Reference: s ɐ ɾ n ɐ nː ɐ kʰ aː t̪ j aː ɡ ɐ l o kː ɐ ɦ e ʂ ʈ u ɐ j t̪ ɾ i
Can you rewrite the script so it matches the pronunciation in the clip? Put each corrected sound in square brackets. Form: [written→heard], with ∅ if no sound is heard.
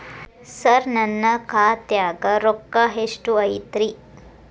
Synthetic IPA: s ɐ ɾ n ɐ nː ɐ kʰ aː t̪ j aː ɡ ɐ [l→ɾ] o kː ɐ ɦ e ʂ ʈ u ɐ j t̪ ɾ i